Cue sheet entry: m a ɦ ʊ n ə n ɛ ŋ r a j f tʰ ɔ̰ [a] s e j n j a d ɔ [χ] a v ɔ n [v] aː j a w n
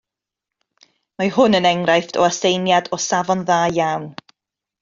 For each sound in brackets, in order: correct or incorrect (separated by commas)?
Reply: correct, incorrect, incorrect